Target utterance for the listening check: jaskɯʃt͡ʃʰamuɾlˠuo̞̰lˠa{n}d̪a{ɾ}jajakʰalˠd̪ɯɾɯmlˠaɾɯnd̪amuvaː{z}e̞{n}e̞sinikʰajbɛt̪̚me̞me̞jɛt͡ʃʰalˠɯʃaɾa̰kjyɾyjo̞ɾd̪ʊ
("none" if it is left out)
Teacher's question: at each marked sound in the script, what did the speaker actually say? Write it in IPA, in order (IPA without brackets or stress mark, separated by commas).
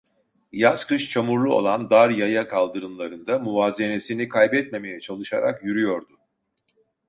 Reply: n, ɾ, z, n